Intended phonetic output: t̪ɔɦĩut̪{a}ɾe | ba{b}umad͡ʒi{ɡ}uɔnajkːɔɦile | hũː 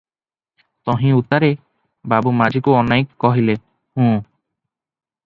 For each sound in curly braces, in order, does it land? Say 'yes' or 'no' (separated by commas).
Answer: yes, yes, no